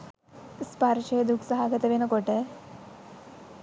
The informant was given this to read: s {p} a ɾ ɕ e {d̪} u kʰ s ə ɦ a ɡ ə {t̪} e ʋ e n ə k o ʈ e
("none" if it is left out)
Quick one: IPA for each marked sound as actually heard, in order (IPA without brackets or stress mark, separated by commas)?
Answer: p, d̪, t̪